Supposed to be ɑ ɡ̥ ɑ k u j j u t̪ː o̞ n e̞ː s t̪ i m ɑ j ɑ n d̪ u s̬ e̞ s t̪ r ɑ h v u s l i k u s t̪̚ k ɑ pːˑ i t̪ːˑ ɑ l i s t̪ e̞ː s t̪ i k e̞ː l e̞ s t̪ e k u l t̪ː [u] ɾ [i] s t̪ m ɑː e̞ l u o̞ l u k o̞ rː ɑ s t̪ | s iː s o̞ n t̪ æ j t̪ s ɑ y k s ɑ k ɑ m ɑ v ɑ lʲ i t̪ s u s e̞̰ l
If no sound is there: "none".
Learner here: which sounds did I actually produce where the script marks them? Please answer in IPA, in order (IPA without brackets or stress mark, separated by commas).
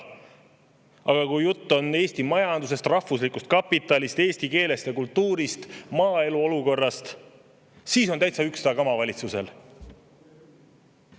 uː, i